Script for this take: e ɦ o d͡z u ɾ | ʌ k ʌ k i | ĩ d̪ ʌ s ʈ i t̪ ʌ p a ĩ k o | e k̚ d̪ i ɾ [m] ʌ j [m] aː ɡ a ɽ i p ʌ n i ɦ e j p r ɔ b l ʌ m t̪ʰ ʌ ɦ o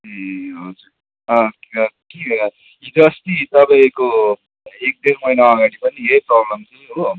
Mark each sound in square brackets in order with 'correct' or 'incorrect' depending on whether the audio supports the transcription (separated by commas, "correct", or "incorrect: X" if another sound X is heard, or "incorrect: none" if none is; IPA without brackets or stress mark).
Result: correct, incorrect: n